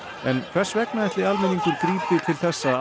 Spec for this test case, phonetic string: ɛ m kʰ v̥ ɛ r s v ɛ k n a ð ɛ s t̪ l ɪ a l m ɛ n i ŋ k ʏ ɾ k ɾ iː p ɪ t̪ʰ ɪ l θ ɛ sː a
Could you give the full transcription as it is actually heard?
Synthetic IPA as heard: ɛ n kʰ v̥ ɛ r s v ɛ k n a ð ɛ h t̪ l ɪ a l m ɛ n i ŋ k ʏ ɾ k ɾ iː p ɪ t̪ʰ ɪ l θ ɛ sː a